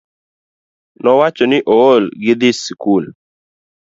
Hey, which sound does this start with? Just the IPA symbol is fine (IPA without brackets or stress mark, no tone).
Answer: n